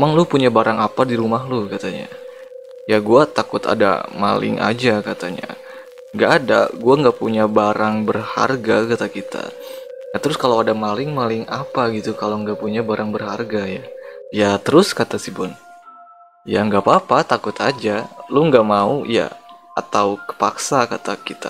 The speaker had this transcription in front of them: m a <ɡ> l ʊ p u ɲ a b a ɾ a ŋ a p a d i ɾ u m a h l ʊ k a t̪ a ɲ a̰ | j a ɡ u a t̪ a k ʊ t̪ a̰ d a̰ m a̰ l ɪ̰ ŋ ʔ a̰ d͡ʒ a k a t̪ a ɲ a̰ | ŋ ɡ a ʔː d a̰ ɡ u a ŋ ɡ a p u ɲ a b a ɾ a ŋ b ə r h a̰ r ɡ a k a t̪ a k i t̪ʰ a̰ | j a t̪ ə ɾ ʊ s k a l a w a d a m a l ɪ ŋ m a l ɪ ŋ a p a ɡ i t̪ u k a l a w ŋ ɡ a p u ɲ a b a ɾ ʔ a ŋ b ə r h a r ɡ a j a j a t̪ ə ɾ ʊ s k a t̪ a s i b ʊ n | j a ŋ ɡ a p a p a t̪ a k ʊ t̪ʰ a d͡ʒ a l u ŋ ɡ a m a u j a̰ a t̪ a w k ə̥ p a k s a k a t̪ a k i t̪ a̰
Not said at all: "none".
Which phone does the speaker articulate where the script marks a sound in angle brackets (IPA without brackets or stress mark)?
ŋ